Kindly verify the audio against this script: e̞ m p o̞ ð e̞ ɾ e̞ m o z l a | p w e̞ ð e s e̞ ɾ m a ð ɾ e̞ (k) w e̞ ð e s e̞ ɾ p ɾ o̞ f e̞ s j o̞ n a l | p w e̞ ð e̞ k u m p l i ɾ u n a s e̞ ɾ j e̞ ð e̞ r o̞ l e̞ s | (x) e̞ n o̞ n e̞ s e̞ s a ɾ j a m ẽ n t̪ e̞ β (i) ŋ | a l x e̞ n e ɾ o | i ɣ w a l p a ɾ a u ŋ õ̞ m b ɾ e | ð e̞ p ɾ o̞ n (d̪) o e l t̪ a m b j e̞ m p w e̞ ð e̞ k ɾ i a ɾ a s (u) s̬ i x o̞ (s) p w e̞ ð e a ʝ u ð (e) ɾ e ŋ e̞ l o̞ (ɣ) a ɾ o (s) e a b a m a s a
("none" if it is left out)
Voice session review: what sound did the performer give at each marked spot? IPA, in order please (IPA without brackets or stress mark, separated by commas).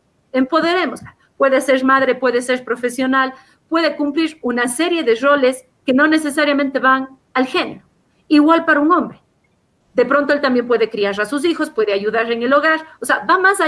p, k, a, t̪, u, s, a, ɣ, s